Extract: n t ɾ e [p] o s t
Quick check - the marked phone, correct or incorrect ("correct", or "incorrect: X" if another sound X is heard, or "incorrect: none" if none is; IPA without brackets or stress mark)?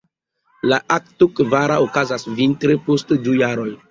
correct